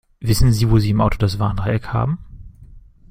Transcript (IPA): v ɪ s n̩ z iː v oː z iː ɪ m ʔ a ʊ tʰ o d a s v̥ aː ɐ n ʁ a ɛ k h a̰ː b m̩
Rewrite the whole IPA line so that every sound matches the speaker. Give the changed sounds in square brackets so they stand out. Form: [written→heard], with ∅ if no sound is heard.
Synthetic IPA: v ɪ s n̩ z iː v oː z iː ɪ m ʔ a ʊ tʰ o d a s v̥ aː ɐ n ʁ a ɛ k h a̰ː b m̩